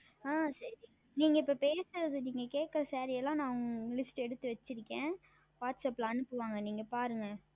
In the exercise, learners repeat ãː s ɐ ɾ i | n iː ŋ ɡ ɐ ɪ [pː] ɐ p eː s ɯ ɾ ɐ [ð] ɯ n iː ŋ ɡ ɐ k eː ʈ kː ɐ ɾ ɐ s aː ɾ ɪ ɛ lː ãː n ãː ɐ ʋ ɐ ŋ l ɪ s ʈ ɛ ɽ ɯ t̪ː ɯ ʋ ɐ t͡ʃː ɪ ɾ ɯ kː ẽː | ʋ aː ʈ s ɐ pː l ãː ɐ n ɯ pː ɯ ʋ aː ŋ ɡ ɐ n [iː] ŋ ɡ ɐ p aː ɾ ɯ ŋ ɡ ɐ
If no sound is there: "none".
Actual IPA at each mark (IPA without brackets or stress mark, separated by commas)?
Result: pː, ð, iː